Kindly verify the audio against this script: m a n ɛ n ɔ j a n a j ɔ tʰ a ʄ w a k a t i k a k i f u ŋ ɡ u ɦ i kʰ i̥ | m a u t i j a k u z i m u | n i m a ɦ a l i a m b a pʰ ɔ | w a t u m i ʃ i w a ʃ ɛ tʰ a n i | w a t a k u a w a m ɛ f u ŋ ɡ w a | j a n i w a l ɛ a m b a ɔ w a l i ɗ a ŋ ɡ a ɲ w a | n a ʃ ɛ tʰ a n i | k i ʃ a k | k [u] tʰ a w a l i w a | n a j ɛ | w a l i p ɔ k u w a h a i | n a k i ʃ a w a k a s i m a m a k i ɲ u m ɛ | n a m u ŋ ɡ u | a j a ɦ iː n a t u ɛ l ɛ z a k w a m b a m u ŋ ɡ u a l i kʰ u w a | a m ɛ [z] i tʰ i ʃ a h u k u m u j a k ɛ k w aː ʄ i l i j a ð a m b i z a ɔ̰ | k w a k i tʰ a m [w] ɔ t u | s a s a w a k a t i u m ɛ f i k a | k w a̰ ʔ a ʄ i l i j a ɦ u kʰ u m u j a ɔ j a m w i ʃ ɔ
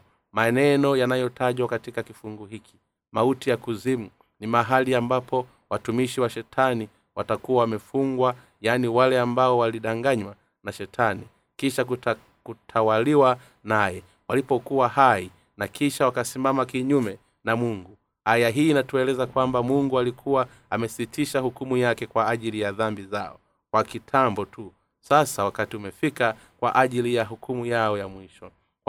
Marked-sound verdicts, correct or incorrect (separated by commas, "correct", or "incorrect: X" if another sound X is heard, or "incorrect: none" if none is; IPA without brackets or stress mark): correct, incorrect: s, incorrect: b